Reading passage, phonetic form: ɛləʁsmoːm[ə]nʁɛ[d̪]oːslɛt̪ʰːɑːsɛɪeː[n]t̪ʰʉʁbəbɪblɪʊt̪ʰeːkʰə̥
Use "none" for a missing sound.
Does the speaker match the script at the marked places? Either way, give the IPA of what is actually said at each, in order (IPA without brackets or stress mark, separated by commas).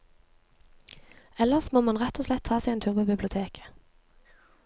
ɑ, t̪, n